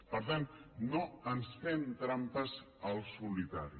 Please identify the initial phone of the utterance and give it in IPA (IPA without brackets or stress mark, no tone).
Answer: p